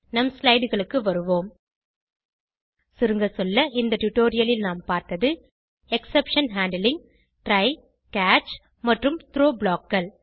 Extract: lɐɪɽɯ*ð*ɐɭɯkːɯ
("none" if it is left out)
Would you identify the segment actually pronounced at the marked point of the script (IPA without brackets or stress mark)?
ɣ